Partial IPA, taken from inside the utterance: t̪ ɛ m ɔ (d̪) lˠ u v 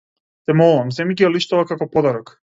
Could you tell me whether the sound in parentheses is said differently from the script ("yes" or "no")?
yes